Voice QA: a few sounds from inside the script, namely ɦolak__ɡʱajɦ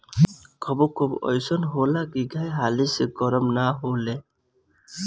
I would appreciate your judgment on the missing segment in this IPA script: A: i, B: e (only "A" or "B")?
A